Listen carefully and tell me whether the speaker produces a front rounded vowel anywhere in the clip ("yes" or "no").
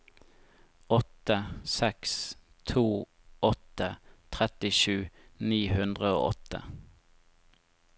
no